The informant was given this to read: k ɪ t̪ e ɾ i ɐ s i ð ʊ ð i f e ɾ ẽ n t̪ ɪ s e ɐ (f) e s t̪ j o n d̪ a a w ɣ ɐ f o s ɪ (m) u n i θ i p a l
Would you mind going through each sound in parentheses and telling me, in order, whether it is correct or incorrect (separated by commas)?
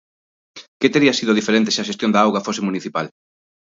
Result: incorrect, correct